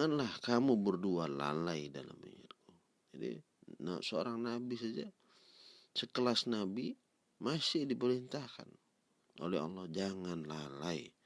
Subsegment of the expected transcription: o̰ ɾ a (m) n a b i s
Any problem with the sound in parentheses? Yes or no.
yes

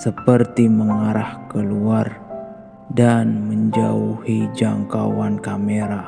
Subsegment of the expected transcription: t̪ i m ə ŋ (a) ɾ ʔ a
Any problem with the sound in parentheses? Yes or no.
no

